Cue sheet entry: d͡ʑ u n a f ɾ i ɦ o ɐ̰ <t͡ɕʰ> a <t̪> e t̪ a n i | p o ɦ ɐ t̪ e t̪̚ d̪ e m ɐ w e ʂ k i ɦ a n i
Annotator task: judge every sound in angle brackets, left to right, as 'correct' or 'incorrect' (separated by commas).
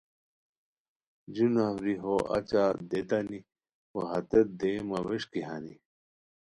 incorrect, incorrect